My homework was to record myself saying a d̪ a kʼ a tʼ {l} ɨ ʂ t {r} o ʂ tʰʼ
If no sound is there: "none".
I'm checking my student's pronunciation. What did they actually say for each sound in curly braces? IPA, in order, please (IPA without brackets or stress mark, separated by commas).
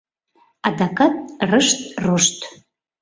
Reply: r, r